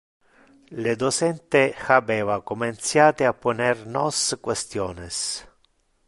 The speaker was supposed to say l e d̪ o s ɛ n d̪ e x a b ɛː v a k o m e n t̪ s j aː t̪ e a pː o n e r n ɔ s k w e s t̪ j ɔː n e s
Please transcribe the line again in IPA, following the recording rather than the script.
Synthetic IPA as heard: l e d̪ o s ɛ n t̪ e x a b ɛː v a k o m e n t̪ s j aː t̪ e a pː o n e r n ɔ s k w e s t̪ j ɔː n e s